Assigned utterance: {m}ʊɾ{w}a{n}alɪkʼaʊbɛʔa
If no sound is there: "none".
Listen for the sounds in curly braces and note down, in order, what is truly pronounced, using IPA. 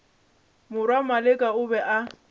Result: m, w, m

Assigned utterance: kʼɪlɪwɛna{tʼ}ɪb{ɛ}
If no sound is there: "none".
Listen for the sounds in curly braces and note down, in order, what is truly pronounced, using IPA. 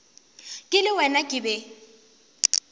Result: kʼ, ɛ

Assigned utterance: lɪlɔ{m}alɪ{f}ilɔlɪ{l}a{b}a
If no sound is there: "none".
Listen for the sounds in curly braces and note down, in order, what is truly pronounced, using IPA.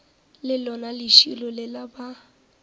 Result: n, ʃ, l, b

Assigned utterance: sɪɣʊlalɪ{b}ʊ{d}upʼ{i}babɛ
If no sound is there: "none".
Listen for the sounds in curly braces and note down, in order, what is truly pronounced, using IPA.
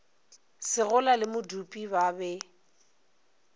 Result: m, d, i

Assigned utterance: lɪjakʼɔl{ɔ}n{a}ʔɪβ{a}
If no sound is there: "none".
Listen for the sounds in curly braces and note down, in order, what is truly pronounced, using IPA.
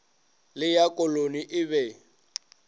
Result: o, i, ɛ

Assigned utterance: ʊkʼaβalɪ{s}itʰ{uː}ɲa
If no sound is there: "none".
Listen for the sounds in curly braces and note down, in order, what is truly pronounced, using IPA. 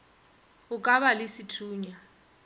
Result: s, uː

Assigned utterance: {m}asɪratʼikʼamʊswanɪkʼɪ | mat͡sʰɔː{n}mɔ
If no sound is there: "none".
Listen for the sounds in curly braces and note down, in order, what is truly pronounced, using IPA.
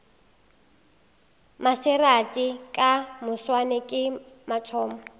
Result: m, none

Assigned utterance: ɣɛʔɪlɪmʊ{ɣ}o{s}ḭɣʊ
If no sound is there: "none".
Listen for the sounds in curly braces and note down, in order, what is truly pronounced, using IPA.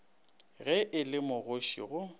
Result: ɣ, ʃ

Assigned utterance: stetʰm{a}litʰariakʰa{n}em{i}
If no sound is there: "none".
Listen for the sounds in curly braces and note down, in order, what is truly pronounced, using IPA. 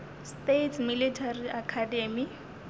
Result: i, d, i

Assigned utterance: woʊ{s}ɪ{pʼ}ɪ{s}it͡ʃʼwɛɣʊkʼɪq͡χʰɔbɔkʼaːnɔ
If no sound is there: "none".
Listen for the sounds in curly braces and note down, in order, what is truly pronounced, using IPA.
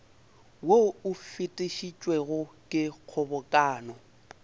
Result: f, tʼ, ʃ

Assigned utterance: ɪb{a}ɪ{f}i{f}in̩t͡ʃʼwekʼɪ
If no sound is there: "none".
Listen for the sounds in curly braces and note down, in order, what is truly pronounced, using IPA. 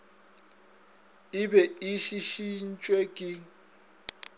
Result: ɛ, ʃ, ʃ

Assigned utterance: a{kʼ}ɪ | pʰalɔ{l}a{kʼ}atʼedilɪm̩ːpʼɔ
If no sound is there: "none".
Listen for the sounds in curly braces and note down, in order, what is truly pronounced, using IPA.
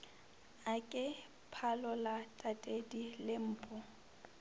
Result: kʼ, l, tʼ

